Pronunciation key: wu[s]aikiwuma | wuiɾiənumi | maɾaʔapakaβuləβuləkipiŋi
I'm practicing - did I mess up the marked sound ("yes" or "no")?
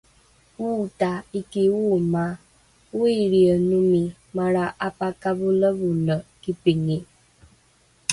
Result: yes